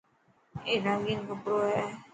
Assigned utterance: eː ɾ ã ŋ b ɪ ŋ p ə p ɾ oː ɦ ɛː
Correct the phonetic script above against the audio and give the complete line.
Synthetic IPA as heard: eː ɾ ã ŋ ɡ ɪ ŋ k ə p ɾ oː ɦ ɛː